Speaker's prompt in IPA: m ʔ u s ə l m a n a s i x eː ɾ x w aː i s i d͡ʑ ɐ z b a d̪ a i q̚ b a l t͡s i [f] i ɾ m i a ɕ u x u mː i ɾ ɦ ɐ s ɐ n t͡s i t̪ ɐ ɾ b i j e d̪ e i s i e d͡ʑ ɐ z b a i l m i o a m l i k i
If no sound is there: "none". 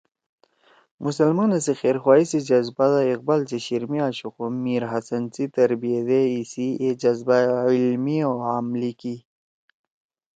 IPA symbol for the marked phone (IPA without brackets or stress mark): ɕ